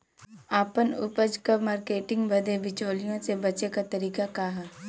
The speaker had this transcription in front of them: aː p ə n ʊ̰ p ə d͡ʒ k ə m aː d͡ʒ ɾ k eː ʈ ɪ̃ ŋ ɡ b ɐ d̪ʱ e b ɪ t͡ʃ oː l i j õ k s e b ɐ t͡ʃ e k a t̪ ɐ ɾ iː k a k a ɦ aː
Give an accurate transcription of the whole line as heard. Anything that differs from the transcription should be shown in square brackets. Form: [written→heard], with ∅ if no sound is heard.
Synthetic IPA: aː p ə n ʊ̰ p ə d͡ʒ k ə m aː [d͡ʒ→∅] ɾ k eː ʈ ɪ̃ ŋ ɡ b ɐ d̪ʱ e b ɪ t͡ʃ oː l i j õ [k→∅] s e b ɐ t͡ʃ e k a t̪ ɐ ɾ iː k a k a ɦ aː